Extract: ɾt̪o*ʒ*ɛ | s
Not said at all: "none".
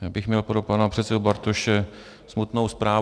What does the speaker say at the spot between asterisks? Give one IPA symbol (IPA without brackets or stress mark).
ʃ